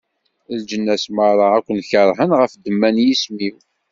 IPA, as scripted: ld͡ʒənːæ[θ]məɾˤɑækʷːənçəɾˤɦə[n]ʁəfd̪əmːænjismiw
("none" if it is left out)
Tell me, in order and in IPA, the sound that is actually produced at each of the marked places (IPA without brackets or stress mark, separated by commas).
s, n